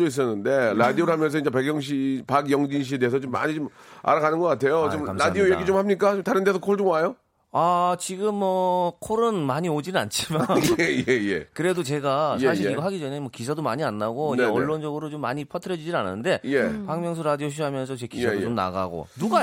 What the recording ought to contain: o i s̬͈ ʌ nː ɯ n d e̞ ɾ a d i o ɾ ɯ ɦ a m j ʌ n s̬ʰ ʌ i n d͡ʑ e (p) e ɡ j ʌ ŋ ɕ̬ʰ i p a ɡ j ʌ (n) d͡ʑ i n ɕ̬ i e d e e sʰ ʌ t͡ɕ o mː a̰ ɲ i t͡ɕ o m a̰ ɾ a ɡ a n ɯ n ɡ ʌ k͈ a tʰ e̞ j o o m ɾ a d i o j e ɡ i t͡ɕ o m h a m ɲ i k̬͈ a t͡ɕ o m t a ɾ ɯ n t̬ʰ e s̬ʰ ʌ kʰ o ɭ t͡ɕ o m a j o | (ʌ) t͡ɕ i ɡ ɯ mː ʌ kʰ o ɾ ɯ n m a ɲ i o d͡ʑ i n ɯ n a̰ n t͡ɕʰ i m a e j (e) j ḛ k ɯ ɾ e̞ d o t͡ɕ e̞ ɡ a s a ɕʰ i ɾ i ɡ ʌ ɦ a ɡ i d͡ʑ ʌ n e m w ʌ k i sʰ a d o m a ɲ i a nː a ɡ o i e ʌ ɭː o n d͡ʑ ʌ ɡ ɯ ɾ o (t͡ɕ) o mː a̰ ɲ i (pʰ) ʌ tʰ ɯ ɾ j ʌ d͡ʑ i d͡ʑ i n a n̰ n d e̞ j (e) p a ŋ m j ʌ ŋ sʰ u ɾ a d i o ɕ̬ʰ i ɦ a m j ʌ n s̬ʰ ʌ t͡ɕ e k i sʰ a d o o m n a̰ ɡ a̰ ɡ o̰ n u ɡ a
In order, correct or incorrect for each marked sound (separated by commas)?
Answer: correct, incorrect, incorrect, correct, correct, correct, correct